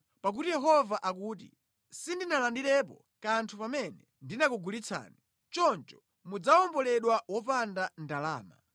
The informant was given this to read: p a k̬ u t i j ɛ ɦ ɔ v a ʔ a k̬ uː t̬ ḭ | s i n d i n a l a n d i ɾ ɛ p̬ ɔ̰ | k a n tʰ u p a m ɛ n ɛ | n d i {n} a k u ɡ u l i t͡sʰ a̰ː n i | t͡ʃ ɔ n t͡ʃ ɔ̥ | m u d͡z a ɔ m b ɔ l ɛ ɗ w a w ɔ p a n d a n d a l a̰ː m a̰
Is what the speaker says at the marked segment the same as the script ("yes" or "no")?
yes